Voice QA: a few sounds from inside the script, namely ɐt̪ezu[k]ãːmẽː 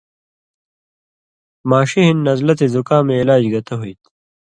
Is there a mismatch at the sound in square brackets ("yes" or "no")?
no